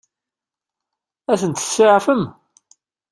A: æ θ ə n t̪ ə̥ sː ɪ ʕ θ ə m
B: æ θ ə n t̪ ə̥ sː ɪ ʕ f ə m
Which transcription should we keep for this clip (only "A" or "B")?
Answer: B